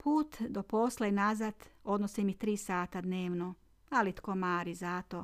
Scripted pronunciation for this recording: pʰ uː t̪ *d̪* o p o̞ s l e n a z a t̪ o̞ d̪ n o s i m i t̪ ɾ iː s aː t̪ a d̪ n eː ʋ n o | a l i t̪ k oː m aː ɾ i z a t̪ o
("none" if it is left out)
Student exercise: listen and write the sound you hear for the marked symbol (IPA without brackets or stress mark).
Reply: d̪